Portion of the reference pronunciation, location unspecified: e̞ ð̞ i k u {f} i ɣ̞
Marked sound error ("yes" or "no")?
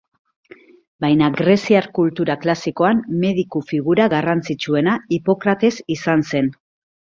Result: no